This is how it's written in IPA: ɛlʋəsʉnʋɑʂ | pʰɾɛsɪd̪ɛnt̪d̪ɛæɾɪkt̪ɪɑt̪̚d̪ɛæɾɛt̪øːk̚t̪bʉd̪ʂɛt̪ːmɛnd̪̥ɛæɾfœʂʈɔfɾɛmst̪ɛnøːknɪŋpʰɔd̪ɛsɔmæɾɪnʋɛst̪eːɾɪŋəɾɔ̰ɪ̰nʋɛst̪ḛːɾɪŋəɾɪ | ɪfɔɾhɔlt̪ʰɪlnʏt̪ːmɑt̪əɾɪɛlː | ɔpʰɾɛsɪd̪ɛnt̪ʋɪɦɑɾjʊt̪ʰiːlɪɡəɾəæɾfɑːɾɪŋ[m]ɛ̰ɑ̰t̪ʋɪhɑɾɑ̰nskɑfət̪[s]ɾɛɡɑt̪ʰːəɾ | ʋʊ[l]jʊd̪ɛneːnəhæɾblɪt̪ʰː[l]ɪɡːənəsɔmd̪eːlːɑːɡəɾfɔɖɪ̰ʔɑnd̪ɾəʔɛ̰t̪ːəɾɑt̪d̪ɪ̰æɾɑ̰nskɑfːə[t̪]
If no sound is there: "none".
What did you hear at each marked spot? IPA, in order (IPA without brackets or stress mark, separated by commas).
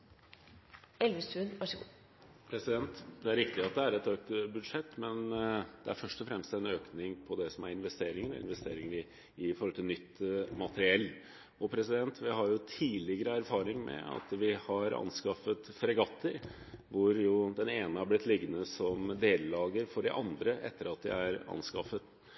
m, f, ɾ, l, t̪